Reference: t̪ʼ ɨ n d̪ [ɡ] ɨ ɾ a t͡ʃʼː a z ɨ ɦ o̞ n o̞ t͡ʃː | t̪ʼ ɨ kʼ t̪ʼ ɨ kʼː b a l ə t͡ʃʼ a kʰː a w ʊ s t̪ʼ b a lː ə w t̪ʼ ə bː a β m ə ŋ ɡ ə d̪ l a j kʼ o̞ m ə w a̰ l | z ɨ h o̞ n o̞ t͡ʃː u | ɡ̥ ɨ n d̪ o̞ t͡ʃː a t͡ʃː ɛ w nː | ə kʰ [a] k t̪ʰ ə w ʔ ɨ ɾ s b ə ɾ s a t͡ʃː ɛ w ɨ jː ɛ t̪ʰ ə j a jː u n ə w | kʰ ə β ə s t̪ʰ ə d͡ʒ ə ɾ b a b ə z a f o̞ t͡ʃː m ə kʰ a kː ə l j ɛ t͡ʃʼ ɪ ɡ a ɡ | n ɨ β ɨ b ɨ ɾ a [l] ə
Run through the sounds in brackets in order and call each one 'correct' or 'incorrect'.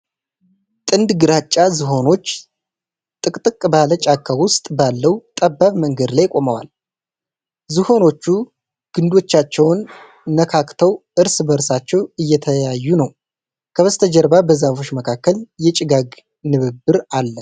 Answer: correct, correct, incorrect: lː

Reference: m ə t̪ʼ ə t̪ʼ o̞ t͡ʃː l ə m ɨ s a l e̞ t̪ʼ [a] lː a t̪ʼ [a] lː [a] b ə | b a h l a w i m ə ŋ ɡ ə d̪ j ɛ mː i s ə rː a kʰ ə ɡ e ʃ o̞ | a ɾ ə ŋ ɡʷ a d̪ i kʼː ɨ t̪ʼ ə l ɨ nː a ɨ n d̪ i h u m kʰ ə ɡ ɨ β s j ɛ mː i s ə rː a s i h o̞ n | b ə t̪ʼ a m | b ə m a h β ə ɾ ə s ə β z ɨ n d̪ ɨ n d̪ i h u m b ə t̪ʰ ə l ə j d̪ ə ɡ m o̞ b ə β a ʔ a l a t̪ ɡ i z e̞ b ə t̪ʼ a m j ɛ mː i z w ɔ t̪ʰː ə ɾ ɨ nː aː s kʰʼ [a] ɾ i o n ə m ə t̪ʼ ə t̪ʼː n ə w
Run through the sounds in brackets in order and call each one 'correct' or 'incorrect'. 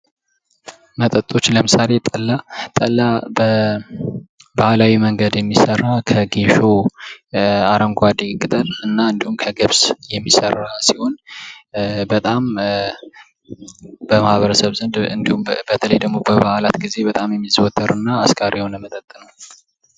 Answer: incorrect: ə, incorrect: ə, correct, correct

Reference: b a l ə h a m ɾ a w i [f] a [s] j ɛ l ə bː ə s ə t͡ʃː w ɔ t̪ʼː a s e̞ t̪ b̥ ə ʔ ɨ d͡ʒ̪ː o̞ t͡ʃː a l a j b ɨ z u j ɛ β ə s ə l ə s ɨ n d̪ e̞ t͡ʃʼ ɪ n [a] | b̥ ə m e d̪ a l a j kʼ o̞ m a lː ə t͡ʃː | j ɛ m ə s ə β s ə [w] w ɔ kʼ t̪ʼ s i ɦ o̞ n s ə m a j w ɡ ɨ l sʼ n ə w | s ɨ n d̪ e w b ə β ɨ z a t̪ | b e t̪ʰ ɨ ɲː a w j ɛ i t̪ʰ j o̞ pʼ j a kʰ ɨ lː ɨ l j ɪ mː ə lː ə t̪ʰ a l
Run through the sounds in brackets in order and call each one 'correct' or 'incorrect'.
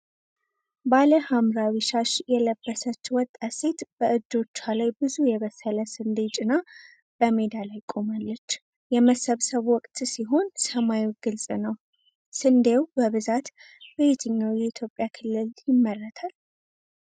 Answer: incorrect: ʃ, incorrect: ʃ, correct, incorrect: β

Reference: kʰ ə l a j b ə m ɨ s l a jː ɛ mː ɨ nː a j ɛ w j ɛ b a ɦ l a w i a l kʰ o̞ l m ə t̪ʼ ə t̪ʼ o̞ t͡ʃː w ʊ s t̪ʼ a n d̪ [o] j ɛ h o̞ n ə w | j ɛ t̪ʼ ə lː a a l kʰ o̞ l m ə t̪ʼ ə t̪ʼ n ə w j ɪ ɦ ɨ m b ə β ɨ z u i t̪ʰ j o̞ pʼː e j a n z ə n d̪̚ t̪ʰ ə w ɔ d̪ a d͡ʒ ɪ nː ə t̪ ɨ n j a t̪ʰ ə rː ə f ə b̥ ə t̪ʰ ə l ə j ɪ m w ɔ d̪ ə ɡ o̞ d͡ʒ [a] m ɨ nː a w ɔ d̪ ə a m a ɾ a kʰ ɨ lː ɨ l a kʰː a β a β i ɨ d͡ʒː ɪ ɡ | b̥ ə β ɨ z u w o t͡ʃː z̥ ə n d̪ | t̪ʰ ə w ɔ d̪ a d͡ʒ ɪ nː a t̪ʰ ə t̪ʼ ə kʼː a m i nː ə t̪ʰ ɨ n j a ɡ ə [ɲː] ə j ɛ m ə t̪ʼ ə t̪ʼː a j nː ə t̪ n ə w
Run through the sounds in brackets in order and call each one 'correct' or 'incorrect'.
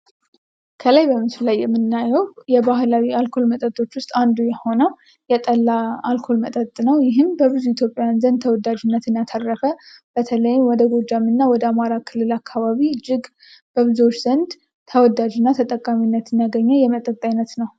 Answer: incorrect: u, correct, correct

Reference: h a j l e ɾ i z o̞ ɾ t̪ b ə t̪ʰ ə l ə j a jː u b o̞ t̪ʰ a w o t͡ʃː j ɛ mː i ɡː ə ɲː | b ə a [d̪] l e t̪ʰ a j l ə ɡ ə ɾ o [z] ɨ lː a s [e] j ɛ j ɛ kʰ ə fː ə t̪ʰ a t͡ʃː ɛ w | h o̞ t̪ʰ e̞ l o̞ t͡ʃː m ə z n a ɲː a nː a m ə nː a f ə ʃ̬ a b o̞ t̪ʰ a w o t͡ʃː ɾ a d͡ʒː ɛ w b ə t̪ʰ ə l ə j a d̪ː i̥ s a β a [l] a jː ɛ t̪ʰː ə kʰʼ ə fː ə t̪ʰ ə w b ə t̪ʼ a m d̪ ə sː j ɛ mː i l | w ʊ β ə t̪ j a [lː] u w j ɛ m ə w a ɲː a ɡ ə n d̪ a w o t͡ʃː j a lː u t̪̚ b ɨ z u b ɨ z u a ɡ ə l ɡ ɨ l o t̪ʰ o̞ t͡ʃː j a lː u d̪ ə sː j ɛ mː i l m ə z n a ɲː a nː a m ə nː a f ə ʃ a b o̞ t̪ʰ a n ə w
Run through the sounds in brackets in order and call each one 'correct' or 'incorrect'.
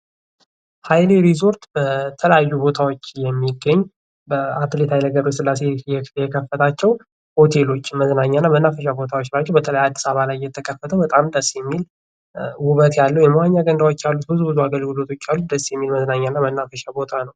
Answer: incorrect: t̪, incorrect: s, correct, correct, correct

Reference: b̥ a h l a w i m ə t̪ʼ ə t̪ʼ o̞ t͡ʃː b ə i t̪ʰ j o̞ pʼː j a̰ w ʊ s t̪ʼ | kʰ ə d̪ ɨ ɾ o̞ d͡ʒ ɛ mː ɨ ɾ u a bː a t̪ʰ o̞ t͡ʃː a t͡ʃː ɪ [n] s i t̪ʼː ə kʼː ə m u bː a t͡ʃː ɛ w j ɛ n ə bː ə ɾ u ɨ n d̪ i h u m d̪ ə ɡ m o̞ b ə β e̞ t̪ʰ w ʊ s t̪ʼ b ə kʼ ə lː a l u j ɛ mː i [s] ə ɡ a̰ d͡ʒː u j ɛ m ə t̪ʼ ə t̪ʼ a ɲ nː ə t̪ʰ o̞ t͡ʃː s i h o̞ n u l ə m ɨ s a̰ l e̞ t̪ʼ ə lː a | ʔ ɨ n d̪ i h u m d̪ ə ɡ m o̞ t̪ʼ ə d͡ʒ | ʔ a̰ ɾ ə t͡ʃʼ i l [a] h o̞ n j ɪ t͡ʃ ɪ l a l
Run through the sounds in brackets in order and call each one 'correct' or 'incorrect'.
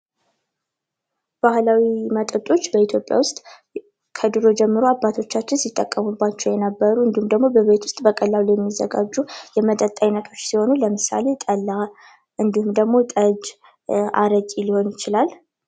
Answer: correct, incorrect: z, incorrect: i

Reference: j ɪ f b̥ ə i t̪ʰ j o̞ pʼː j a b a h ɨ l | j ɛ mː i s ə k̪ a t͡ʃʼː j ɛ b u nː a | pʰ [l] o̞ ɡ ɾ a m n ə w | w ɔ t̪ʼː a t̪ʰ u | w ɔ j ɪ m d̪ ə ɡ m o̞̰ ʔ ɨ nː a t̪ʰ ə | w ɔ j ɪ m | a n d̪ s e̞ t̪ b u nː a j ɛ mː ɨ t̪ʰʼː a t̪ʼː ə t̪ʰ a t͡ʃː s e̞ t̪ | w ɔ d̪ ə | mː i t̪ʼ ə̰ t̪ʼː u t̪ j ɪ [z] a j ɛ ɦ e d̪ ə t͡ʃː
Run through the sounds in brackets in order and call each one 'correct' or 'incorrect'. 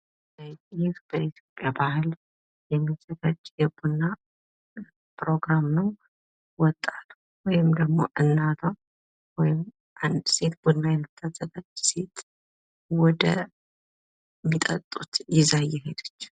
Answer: incorrect: ɾ, correct

